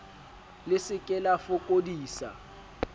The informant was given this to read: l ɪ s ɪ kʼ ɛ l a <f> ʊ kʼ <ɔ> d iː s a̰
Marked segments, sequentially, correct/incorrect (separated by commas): correct, incorrect